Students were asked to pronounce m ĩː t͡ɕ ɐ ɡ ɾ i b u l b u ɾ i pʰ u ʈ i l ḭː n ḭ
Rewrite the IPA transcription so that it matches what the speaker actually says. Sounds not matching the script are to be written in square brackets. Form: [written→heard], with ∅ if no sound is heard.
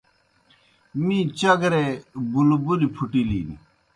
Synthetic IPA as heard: m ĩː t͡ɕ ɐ ɡ ɾ [i→e] b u l b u [ɾ→l] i pʰ u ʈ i l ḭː n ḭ